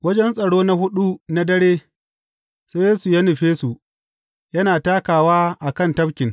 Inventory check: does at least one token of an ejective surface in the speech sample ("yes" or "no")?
yes